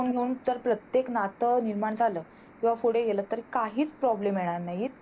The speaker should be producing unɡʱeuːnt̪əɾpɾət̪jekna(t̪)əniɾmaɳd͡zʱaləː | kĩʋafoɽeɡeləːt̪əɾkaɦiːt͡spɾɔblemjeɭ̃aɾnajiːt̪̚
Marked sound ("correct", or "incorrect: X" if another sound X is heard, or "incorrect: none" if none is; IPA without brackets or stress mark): correct